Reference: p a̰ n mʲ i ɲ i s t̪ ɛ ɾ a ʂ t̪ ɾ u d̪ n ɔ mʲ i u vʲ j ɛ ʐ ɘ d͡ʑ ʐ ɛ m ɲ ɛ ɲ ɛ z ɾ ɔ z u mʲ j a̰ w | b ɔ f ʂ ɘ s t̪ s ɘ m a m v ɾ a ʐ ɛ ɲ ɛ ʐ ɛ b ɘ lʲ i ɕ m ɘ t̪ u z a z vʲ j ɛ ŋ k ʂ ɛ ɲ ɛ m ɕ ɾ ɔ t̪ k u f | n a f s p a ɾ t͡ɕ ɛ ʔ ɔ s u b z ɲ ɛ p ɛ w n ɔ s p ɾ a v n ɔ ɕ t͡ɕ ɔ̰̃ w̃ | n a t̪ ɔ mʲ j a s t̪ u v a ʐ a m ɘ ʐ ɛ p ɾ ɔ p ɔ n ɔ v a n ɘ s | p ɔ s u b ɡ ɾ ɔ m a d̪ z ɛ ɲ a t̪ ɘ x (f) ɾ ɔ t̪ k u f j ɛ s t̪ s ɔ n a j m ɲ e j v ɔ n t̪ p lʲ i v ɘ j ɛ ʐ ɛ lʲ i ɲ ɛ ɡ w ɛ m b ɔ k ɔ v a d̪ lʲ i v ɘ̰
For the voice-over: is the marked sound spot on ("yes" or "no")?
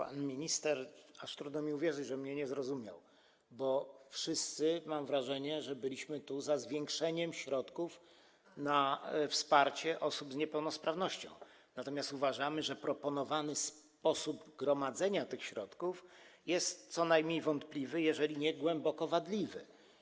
no